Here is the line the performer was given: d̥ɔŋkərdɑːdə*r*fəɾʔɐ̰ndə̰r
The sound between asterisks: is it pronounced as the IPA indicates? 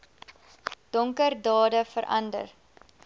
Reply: no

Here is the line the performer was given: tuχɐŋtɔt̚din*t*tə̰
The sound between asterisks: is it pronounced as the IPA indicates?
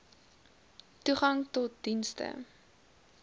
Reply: no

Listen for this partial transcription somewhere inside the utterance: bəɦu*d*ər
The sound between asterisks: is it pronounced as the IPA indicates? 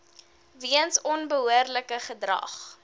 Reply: no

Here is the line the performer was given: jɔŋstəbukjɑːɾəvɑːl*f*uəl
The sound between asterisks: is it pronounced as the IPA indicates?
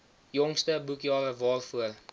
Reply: yes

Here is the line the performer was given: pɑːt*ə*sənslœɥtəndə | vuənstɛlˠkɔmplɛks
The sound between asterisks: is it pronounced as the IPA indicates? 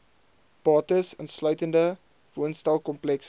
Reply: yes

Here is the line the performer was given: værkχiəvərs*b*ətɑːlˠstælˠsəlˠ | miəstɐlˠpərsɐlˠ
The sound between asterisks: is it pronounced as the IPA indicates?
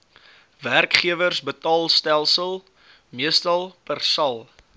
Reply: yes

